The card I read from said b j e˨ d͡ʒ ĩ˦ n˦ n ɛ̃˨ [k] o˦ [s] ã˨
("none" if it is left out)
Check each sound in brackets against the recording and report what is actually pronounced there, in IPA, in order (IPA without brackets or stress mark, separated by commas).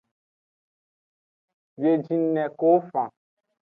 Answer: k, f